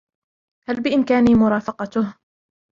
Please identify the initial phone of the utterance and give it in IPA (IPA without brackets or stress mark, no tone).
h